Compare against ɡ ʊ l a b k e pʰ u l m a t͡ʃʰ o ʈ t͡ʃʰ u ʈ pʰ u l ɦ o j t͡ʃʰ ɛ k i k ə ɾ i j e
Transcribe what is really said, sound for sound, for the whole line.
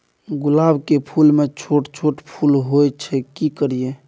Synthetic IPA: ɡ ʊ l a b k e pʰ u l m e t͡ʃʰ o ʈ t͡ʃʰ o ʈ pʰ u l ɦ o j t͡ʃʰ ɛ k i k ə ɾ i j e